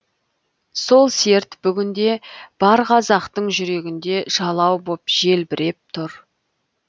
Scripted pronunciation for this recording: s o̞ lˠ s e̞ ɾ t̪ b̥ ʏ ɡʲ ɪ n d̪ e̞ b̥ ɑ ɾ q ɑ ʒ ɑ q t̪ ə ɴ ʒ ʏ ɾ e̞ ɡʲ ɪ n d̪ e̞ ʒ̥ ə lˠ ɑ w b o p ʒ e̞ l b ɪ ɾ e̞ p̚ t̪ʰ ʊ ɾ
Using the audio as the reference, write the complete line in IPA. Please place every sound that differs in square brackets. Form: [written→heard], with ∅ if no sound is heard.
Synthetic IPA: s o̞ lˠ s e̞ ɾ t̪ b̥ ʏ ɡʲ ɪ n d̪ e̞ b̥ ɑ ɾ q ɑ [ʒ→z] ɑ q t̪ ə ɴ ʒ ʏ ɾ e̞ ɡʲ ɪ n d̪ e̞ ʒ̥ [ə→ɑ] lˠ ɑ w b o p ʒ e̞ l b ɪ ɾ e̞ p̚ t̪ʰ ʊ ɾ